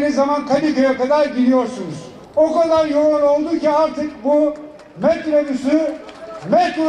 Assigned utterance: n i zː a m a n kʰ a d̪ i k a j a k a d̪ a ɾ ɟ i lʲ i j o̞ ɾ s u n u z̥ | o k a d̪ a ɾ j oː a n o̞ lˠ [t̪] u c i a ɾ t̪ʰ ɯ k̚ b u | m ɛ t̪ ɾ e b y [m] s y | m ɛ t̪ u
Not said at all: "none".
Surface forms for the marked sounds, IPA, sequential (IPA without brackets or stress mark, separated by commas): d̪, none